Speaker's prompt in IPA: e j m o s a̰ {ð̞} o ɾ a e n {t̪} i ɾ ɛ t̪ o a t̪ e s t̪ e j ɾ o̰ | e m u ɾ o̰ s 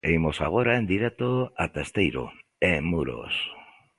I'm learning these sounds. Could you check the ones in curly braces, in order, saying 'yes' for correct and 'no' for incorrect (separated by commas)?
no, no